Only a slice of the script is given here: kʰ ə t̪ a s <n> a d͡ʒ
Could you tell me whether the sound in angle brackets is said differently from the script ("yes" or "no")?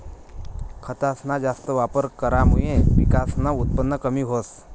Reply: no